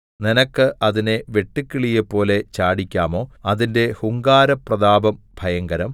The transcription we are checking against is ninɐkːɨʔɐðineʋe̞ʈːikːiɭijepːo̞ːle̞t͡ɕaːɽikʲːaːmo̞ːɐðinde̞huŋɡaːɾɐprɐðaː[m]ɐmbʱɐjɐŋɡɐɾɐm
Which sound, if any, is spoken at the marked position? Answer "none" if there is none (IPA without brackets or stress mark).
b